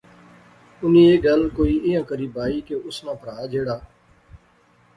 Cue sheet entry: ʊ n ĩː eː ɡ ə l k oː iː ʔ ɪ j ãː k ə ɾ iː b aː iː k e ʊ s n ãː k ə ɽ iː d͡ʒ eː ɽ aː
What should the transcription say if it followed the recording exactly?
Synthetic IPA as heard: ʊ n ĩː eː ɡ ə l k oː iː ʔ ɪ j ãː k ə ɾ iː b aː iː k e ʊ s n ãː p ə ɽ aː d͡ʒ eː ɽ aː